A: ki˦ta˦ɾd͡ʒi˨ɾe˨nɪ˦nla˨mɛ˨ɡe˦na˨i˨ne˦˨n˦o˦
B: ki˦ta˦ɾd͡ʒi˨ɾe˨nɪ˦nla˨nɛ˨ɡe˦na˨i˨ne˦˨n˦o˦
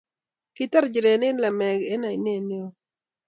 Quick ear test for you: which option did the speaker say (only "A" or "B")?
A